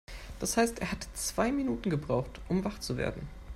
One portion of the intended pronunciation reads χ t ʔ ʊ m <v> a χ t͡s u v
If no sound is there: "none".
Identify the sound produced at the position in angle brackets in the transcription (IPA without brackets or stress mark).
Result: v